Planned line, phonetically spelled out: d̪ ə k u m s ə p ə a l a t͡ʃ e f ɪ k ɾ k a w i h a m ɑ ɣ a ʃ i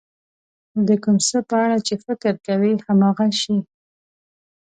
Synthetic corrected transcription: d̪ ə k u m s ə p ə a ɽ a t͡ʃ e f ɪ k ɾ k a w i h a m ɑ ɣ a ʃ i